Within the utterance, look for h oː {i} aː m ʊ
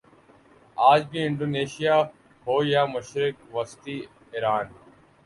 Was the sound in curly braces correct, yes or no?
no